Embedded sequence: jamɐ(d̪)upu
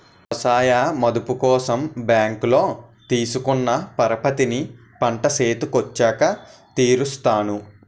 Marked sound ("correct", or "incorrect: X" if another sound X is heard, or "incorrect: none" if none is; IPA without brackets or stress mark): correct